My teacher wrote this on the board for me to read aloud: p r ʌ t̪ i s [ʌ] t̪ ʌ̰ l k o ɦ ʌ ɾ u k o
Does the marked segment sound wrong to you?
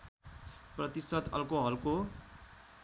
no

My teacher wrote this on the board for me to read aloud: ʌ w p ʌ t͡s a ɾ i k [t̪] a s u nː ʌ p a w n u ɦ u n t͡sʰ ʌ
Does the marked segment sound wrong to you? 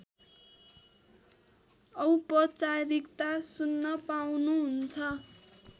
no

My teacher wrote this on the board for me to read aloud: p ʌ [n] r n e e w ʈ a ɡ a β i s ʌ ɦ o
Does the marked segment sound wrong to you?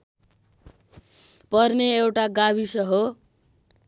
yes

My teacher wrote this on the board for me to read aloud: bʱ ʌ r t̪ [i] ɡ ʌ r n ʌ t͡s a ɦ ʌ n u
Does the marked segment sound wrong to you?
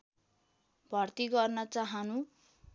no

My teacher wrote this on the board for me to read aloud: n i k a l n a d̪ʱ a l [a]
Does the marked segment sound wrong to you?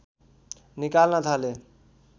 yes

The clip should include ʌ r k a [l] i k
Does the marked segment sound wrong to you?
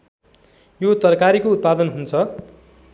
yes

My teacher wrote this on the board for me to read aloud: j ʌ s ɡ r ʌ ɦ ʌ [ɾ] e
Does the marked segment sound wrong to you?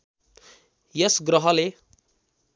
yes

